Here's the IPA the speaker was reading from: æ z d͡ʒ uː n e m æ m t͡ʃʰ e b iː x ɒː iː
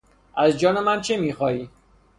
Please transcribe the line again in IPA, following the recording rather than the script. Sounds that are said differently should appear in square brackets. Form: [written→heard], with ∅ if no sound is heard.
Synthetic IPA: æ z d͡ʒ [uː→ɒː] n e m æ [m→n] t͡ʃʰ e [b→m] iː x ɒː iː